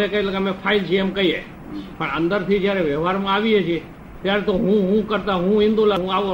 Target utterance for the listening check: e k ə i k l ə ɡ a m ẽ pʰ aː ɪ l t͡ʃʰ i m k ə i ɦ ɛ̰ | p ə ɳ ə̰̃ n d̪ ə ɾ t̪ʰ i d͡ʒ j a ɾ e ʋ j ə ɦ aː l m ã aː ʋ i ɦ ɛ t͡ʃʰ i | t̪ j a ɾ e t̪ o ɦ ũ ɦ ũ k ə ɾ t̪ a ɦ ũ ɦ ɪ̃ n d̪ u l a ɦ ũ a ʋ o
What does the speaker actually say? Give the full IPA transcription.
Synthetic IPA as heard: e k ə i l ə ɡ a m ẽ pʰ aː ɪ l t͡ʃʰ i m k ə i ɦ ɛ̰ | p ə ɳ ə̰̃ n d̪ ə ɾ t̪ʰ i d͡ʒ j a ɾ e ʋ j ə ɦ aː ɾ m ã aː ʋ i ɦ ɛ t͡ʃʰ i | t̪ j a ɾ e t̪ o ɦ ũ ɦ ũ k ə ɾ t̪ a ɦ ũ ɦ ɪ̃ n d̪ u l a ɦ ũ a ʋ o